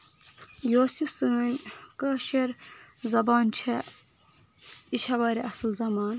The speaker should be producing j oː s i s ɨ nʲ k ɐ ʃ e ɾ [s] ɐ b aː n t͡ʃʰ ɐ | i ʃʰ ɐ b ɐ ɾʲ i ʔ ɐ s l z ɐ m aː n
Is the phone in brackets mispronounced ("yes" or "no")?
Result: yes